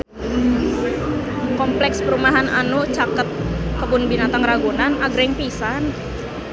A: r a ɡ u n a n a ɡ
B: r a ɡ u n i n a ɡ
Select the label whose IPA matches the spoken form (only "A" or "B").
A